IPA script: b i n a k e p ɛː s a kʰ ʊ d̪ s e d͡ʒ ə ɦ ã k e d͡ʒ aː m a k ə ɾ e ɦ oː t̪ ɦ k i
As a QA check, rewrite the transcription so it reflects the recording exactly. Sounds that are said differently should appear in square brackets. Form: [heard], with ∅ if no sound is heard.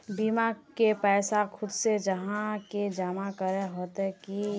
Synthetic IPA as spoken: b i [m] a k e p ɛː s a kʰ ʊ d̪ s e d͡ʒ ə ɦ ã k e d͡ʒ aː m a k ə ɾ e ɦ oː t̪ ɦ k i